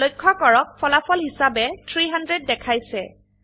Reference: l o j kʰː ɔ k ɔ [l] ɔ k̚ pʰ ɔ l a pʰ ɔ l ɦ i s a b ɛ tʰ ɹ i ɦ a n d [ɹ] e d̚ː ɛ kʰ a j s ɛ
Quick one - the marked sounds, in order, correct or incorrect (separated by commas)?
incorrect, correct